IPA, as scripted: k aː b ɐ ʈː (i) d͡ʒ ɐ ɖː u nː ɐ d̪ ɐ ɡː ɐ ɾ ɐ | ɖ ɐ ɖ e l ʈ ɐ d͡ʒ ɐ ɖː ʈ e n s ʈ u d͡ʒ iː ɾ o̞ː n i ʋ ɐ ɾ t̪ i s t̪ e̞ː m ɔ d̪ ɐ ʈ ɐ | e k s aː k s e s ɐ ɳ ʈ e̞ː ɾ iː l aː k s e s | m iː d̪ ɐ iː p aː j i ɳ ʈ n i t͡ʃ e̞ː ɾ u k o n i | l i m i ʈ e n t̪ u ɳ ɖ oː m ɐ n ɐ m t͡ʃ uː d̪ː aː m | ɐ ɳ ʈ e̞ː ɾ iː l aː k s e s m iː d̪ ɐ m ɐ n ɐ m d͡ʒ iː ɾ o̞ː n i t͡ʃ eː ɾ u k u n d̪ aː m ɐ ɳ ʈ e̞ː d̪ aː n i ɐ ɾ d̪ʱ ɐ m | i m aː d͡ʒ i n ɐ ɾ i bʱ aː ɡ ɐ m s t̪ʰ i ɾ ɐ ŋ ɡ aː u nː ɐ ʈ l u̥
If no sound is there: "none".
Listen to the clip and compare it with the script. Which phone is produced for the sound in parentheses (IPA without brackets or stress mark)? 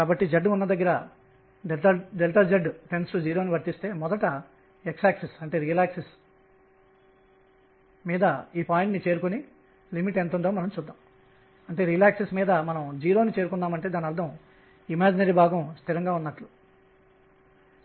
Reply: i